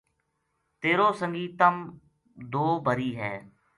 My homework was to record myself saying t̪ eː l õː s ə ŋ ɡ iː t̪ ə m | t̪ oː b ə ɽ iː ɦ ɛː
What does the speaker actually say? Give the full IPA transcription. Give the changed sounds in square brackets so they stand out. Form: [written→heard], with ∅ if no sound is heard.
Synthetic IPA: t̪ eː [l→ɾ] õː s ə ŋ ɡ iː t̪ ə m | [t̪→d̪] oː b ə [ɽ→ɾ] iː ɦ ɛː